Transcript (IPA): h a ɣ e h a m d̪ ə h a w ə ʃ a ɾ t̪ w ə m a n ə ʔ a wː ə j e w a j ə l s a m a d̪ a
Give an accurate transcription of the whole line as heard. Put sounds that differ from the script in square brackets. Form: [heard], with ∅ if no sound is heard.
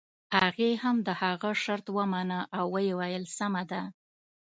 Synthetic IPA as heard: h a ɣ e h a m d̪ ə h a [ɣ] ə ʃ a ɾ t̪ w ə m a n ə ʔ a wː ə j e w a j ə l s a m a d̪ a